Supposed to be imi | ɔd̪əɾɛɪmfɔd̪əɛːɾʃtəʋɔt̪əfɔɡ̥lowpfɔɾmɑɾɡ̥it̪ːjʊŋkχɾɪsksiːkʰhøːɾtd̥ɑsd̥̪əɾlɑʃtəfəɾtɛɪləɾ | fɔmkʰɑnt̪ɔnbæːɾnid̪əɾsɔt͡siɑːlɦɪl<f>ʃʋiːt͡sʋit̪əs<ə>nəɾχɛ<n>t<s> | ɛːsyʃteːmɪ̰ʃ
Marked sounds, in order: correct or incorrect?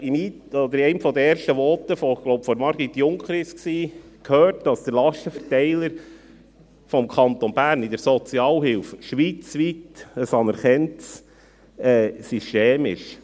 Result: correct, incorrect: ɑ, correct, correct

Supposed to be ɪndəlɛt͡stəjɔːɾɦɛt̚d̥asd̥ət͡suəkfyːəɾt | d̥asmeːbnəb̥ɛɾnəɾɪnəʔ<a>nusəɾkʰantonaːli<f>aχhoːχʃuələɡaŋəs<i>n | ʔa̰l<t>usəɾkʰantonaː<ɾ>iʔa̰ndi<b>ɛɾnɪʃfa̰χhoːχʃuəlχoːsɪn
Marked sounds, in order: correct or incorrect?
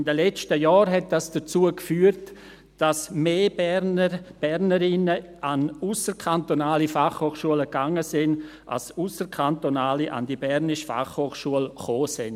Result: correct, correct, incorrect: ɪ, incorrect: s, incorrect: l, correct

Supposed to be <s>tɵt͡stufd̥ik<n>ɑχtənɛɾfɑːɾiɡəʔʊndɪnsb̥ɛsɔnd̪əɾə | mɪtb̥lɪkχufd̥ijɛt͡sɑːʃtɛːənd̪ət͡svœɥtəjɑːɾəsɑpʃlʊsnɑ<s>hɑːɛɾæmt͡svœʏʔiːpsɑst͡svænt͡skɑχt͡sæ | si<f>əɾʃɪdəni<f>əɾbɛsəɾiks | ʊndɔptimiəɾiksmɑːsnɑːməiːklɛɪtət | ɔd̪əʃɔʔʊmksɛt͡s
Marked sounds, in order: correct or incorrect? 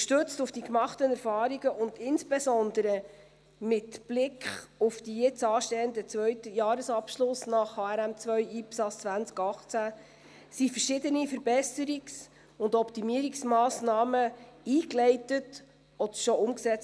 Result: incorrect: ʃ, incorrect: m, incorrect: χ, correct, correct

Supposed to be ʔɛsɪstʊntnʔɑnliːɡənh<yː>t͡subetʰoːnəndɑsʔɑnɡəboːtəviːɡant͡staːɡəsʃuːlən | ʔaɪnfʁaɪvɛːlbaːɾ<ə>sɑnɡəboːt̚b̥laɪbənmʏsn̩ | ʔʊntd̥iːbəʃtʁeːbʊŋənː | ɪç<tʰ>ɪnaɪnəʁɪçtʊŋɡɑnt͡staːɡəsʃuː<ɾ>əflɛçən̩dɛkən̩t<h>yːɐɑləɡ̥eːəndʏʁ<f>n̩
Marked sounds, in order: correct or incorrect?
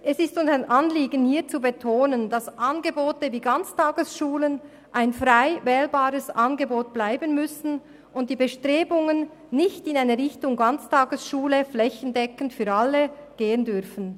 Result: incorrect: iː, correct, incorrect: t, incorrect: l, incorrect: f, correct

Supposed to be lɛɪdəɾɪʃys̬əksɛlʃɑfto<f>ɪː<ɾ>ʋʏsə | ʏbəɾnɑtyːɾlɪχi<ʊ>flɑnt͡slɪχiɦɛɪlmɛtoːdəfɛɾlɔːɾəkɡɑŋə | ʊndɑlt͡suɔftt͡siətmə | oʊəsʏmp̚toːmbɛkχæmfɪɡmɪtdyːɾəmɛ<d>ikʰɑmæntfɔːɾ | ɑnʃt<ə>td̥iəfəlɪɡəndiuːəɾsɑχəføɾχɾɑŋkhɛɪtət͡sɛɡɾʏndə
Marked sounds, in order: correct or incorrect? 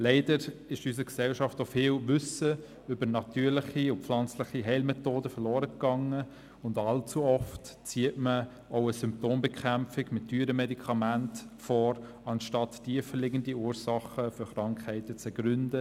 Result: correct, incorrect: l, correct, correct, incorrect: ɑ

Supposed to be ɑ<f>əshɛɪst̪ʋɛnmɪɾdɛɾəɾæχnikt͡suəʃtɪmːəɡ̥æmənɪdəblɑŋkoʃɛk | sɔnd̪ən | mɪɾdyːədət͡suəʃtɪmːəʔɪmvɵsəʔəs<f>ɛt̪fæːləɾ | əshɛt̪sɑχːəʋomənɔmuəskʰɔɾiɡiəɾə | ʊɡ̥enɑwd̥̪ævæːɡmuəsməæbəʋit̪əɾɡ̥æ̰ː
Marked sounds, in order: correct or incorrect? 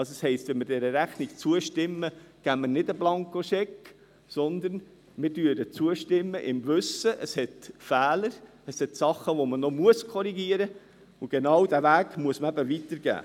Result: incorrect: s, incorrect: h

